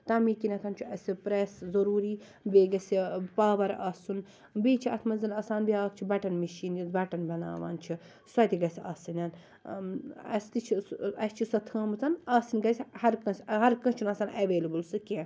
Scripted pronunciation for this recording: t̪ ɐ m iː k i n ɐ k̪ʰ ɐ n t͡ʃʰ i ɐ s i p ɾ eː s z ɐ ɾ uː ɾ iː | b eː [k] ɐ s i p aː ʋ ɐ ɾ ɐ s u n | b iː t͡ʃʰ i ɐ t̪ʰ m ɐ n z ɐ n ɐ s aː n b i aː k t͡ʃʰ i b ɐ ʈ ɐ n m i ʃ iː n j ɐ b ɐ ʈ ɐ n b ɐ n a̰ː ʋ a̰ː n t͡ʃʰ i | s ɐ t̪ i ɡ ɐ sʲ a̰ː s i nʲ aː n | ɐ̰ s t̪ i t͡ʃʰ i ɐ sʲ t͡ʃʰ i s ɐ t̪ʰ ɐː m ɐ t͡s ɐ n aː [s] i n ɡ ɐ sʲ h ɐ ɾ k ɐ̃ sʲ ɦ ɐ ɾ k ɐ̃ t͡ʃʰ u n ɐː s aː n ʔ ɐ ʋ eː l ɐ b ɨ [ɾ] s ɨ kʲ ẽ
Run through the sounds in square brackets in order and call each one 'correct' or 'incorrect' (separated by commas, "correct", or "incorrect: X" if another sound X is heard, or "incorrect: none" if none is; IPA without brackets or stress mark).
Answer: incorrect: ɡ, correct, incorrect: l